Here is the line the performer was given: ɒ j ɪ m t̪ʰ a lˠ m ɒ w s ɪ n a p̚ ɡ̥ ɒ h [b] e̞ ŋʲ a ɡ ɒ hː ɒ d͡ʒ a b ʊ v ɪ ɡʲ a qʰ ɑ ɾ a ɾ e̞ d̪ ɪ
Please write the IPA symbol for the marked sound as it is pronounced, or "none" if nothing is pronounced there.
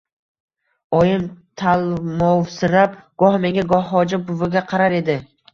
m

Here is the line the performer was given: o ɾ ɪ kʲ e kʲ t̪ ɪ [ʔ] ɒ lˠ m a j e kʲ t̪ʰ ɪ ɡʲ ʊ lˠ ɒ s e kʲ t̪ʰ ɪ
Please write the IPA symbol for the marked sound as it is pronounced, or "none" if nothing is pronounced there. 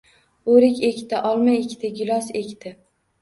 ʔ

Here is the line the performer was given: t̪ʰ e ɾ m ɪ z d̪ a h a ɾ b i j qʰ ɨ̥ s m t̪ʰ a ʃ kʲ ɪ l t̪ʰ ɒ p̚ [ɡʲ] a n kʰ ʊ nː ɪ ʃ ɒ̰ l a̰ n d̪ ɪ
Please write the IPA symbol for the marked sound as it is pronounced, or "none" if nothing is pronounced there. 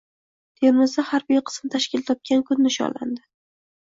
kʲ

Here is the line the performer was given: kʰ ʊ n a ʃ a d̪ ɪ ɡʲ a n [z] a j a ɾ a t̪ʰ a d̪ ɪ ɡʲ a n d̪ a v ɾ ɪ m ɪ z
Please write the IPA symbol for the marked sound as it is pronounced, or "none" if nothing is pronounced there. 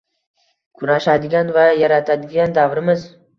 v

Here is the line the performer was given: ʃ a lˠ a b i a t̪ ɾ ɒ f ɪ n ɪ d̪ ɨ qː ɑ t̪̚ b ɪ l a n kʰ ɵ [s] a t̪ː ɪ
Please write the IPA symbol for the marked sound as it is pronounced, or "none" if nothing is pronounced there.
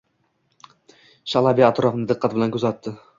z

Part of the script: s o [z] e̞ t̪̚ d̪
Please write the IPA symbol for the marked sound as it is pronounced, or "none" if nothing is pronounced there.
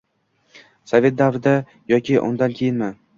v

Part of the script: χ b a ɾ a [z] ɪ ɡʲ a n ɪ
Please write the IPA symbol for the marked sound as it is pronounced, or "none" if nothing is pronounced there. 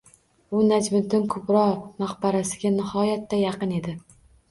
s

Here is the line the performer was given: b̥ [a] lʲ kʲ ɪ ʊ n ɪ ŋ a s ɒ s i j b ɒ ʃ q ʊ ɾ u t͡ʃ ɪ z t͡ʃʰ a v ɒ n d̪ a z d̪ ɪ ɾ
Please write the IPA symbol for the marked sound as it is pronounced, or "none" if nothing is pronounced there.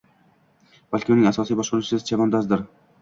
a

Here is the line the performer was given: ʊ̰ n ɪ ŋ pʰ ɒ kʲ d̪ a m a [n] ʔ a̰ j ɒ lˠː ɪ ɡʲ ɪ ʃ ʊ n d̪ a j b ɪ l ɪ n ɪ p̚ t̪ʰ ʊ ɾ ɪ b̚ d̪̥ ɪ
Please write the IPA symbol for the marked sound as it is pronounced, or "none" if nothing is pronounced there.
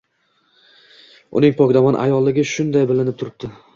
n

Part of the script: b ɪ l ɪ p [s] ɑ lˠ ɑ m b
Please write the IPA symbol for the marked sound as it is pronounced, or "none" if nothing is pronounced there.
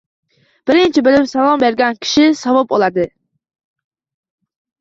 s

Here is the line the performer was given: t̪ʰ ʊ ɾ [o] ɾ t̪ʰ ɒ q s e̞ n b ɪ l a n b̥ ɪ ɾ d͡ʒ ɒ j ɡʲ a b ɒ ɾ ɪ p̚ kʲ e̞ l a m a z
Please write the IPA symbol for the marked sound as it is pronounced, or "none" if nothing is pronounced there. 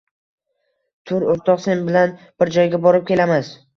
o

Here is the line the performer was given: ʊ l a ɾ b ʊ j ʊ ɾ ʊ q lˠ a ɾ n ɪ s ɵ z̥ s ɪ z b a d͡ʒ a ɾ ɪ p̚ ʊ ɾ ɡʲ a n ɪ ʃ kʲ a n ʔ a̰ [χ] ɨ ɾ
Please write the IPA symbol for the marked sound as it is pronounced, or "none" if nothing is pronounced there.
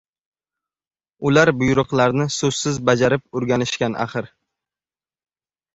χ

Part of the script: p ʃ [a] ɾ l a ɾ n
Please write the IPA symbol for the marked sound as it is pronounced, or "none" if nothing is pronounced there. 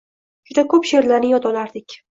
e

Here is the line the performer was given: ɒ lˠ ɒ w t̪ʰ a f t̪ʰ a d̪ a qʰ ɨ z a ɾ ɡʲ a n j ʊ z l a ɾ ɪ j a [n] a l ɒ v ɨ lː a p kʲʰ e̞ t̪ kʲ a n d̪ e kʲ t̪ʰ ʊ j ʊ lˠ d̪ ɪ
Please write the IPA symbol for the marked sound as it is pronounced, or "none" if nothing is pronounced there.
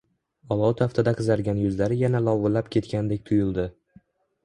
n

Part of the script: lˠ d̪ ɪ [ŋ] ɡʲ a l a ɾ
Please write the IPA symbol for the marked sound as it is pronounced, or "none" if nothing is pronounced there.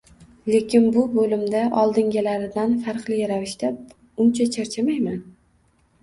ŋ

